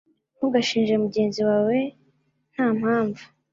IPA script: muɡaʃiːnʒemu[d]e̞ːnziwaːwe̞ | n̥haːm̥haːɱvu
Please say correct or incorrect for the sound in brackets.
incorrect: ɟ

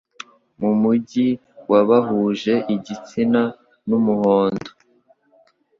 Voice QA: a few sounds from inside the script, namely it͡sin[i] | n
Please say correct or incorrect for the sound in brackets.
incorrect: a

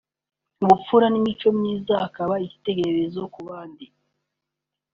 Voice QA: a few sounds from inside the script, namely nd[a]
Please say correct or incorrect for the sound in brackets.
incorrect: i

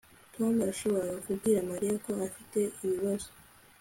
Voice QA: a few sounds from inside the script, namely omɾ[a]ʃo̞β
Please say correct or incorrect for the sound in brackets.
correct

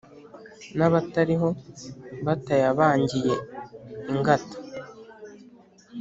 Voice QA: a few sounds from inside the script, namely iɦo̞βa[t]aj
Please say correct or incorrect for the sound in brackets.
correct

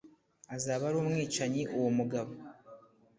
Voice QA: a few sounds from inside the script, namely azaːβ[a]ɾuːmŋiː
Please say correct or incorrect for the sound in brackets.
correct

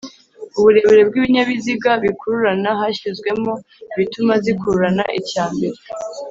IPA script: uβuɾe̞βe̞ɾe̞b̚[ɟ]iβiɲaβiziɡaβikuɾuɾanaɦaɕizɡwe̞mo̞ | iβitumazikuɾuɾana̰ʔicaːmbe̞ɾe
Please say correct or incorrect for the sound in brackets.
incorrect: ɡ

